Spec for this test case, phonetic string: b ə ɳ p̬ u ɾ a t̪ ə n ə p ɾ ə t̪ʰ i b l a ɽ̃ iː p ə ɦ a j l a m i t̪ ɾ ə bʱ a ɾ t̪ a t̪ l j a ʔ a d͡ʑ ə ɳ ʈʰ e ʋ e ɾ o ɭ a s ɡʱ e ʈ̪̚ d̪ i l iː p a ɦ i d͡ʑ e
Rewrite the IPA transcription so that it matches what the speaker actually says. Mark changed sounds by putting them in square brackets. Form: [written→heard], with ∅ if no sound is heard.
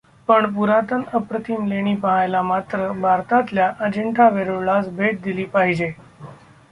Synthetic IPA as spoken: [b→p] ə ɳ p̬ u ɾ a t̪ ə n ə p ɾ ə t̪ʰ i [b→m] l [a→e] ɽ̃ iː p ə ɦ a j l a m [i→a] t̪ ɾ ə bʱ a ɾ t̪ a t̪ l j a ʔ [a→ə] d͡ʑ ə ɳ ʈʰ [e→a] ʋ e ɾ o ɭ a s [ɡʱ→bʱ] e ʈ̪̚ d̪ i l iː p a ɦ i d͡ʑ e